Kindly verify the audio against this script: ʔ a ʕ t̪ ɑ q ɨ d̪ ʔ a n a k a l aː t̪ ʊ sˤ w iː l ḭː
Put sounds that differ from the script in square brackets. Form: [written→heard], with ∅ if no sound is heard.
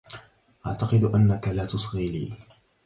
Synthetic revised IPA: ʔ a ʕ t̪ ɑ q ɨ d̪ ʔ a [n→nː] a k a l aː t̪ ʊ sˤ [w→ɣ] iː l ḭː

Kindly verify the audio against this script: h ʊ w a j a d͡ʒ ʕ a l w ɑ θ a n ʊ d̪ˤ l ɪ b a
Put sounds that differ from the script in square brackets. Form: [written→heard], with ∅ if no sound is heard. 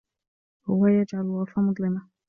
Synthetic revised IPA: h ʊ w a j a d͡ʒ ʕ a l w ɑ [θ→f] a [n→m] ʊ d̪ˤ l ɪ [b→m] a

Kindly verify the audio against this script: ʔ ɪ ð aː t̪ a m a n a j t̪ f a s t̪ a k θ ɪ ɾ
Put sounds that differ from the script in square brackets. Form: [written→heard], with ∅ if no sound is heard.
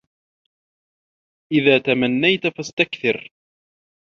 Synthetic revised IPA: ʔ ɪ ð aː t̪ a m a [n→nː] a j t̪ f a s t̪ a k θ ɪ ɾ

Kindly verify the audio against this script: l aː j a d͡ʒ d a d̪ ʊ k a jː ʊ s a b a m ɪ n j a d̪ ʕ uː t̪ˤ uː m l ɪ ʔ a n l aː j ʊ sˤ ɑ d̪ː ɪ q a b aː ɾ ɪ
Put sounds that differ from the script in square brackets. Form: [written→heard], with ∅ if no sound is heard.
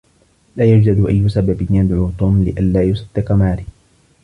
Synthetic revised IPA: l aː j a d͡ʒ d a d̪ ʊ [k→ʔ] a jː ʊ s a b a [m→b] ɪ n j a d̪ ʕ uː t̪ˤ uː m l ɪ ʔ a n l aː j ʊ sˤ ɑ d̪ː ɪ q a [b→m] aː ɾ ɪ

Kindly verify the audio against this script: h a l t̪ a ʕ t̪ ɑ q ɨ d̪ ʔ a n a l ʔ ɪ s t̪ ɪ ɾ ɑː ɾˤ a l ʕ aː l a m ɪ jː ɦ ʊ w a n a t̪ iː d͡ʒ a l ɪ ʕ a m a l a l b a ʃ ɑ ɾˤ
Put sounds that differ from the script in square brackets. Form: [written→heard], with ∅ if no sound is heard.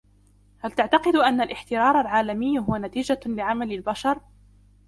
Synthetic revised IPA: h a l t̪ a ʕ t̪ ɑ q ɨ d̪ ʔ a [n→nː] a l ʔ ɪ [s→ħ] t̪ ɪ ɾ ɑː ɾˤ a l ʕ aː l a m ɪ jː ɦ ʊ w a n a t̪ iː d͡ʒ a l ɪ ʕ a m a l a l b a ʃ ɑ ɾˤ

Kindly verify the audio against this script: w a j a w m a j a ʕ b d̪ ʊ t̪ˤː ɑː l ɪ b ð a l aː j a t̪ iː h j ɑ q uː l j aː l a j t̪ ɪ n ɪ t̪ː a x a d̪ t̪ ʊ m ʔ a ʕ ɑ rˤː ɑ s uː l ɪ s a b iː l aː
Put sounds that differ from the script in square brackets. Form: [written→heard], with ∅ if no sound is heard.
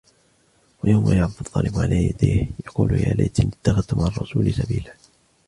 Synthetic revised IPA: w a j a w m a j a ʕ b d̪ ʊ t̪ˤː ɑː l ɪ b [ð→ʕ] a l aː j a [t̪→d̪] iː h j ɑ q uː l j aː l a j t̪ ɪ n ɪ t̪ː a x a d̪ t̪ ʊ m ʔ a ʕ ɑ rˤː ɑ s uː l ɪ s a b iː l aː

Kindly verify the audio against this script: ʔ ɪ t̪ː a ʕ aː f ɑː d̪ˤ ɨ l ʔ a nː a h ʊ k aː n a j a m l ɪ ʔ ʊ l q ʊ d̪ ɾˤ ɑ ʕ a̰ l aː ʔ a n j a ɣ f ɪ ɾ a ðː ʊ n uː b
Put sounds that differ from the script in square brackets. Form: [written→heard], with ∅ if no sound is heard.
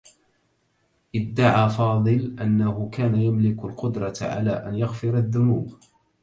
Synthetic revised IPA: ʔ ɪ [t̪ː→d̪ː] a ʕ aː f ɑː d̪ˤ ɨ l ʔ a nː a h ʊ k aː n a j a m l ɪ [ʔ→k] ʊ l q ʊ d̪ ɾˤ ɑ ʕ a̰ l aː ʔ a n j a ɣ f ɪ ɾ a ðː ʊ n uː b

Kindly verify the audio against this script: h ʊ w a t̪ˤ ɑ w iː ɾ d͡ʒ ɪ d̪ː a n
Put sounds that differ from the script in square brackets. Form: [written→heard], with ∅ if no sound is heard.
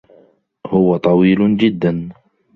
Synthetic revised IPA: h ʊ w a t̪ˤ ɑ w iː [ɾ→l] d͡ʒ ɪ d̪ː a n

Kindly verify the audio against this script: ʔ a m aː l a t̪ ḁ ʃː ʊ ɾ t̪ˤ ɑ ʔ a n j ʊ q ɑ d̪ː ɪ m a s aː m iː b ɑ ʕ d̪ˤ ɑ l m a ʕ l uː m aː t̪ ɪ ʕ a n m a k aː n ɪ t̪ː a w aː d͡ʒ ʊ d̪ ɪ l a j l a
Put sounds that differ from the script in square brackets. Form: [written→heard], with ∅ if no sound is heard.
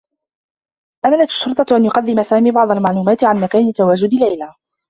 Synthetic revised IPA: ʔ a m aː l a t̪ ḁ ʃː ʊ ɾ t̪ˤ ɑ ʔ a n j ʊ q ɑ d̪ː ɪ m a s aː m iː b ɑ ʕ d̪ˤ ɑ l m a ʕ l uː m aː t̪ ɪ ʕ a n m a k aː n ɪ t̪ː a w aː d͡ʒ ʊ d̪ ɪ l a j l a

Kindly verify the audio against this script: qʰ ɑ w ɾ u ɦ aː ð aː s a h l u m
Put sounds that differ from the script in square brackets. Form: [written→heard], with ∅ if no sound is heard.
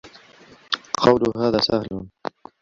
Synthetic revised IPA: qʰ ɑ w [ɾ→l] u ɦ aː ð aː s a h l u [m→n]

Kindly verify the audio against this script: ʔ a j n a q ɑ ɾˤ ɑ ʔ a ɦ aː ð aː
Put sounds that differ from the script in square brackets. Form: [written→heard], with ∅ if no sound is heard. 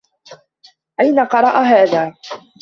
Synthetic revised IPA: ʔ a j n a q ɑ ɾˤ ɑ ʔ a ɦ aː ð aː

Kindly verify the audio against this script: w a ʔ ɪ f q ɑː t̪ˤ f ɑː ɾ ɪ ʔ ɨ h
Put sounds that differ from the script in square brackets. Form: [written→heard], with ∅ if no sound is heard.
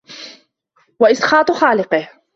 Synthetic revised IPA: w a ʔ ɪ [f→s] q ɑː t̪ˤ [f→x] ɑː [ɾ→l] ɪ [ʔ→q] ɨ h

